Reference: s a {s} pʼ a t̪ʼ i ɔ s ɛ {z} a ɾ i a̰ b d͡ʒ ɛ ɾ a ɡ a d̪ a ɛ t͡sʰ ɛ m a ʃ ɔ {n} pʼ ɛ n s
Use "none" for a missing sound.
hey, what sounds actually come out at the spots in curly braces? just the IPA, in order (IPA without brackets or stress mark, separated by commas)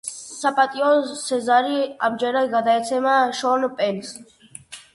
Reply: none, z, n